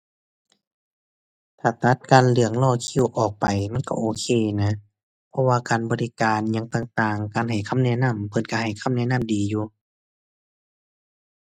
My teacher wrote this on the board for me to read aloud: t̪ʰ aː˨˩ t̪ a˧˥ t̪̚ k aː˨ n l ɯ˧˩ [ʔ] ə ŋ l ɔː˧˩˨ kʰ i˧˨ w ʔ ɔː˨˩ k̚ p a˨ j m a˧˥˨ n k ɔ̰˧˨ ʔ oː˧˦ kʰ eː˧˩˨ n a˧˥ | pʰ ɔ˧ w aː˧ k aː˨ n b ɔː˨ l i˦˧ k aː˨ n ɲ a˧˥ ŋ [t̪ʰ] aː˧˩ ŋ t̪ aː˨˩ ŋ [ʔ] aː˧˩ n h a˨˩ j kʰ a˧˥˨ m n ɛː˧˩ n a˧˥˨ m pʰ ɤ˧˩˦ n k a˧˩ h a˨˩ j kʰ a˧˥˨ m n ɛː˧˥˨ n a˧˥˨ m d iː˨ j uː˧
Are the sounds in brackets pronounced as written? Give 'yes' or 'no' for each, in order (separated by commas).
no, no, no